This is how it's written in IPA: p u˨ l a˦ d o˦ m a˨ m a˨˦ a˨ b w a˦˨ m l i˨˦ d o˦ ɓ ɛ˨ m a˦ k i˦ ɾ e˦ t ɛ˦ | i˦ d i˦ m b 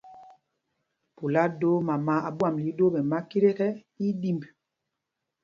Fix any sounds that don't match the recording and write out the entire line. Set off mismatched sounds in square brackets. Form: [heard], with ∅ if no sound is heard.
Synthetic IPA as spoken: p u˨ l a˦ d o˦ m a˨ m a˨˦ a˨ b w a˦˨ m l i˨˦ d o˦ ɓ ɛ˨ m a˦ k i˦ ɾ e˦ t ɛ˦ | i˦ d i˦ m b

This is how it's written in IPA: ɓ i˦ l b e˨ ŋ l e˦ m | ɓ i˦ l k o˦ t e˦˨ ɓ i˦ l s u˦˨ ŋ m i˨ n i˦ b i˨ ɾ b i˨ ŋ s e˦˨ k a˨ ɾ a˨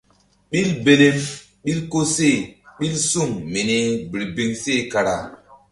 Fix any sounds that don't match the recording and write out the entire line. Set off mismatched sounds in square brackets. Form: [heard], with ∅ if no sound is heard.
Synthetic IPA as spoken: ɓ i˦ l b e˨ [∅] l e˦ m | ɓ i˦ l k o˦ [s] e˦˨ ɓ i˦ l s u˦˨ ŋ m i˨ n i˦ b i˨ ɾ b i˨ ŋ s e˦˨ k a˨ ɾ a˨

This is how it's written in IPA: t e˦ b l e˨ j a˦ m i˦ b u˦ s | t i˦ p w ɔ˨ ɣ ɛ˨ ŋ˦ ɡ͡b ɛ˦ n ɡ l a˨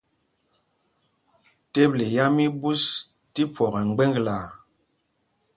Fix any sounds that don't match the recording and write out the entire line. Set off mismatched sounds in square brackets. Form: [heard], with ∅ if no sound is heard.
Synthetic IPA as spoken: t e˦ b l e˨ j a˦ m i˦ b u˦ s | t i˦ p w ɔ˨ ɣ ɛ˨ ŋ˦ ɡ͡b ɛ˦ [ŋ] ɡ l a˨

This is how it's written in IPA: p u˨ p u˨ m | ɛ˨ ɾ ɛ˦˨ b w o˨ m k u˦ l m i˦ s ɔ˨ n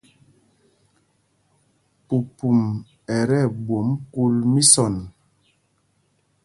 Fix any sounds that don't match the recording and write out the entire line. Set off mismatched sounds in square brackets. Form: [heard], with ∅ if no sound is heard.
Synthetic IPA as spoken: p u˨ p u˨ m | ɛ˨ ɾ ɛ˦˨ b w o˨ m k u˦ l m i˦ s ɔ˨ n

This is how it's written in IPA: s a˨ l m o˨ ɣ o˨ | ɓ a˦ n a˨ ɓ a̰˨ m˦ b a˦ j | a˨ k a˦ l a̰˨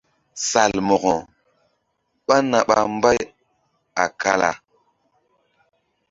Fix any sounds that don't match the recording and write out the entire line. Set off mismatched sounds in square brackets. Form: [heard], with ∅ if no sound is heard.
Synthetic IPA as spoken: s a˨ l m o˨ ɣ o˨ | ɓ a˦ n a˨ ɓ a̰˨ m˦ b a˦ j | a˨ k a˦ l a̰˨

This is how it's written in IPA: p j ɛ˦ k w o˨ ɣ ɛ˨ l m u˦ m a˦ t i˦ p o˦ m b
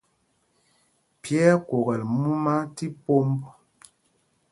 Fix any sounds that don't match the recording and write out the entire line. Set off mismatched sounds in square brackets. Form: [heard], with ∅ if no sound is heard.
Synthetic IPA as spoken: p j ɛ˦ k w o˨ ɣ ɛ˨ l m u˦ m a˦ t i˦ p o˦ m b

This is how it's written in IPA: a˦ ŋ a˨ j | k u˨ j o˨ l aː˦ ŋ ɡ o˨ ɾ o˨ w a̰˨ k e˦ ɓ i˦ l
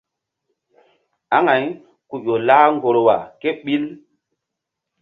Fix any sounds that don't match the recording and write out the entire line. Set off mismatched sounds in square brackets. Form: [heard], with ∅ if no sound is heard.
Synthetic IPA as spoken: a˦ ŋ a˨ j | k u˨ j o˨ l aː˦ ŋ ɡ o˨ ɾ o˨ w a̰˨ k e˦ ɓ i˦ l

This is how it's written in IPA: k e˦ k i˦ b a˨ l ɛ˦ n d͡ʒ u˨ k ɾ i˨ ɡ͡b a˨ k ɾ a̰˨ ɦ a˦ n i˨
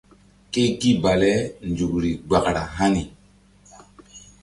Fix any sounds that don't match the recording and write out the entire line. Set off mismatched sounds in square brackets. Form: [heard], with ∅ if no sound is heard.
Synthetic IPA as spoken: k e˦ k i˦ b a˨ l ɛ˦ n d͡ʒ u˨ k ɾ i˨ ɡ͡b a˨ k ɾ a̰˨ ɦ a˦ n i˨

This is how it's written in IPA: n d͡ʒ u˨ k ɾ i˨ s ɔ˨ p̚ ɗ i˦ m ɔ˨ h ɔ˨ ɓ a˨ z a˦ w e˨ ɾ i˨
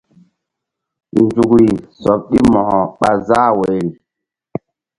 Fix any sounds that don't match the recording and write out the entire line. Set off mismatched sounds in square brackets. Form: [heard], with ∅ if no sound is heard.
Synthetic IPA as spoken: n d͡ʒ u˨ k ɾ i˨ s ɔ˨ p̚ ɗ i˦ m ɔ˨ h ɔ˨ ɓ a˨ z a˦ w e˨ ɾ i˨

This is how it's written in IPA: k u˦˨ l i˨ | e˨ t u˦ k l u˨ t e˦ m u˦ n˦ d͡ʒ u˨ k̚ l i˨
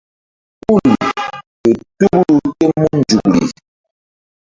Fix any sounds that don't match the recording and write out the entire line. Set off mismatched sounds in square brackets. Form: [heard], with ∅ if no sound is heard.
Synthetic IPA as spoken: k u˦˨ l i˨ | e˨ t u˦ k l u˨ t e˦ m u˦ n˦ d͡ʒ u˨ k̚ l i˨

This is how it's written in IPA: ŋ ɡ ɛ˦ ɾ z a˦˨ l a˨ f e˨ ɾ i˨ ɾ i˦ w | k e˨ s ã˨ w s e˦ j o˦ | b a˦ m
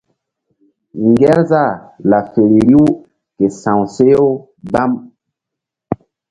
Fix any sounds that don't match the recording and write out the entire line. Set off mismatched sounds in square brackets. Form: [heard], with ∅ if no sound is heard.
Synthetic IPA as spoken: ŋ ɡ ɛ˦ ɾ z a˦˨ l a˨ f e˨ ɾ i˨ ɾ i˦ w | k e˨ s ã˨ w s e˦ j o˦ | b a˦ m

